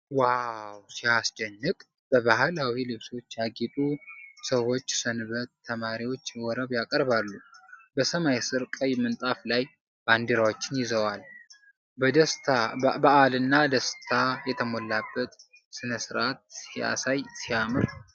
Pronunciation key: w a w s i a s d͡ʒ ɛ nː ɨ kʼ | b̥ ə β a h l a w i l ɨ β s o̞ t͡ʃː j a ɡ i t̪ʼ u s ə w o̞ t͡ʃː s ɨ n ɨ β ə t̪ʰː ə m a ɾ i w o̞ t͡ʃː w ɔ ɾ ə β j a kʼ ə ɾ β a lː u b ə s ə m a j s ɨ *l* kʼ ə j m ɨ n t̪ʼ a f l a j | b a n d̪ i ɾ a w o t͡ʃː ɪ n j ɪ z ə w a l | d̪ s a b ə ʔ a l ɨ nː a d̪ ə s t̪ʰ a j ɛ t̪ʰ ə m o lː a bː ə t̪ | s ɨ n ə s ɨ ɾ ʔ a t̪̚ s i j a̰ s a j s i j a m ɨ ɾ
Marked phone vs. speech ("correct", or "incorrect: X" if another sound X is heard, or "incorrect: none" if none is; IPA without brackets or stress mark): incorrect: ɾ